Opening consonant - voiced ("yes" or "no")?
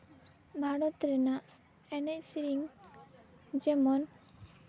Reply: yes